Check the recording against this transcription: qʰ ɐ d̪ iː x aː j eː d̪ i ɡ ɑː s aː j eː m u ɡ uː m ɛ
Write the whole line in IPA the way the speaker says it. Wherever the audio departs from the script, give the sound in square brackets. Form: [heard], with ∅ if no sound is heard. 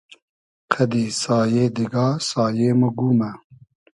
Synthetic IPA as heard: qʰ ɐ d̪ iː [s] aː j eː d̪ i ɡ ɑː s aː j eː m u ɡ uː m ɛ